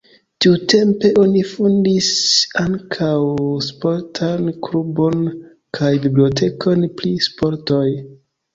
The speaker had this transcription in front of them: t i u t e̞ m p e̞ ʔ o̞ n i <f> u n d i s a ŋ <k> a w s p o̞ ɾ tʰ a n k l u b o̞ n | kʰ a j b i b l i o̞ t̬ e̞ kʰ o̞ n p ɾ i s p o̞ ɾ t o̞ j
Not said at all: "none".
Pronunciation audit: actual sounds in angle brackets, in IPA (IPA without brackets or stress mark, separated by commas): f, kʰ